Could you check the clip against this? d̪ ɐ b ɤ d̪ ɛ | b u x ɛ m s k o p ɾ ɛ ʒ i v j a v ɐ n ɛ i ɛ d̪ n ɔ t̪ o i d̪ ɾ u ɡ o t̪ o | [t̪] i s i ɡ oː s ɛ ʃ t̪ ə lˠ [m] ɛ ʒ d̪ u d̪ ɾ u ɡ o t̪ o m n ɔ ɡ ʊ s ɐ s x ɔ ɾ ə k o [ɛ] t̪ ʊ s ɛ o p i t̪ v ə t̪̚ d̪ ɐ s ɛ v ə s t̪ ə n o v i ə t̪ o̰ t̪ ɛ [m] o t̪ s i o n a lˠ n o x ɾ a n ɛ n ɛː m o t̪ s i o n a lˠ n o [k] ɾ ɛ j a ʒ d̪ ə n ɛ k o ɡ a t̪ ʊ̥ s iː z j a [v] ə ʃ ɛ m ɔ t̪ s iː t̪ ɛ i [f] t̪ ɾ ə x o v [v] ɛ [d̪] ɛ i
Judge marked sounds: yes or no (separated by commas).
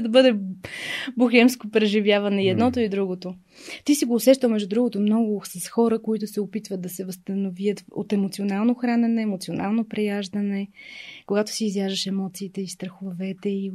yes, yes, no, yes, no, no, no, yes, no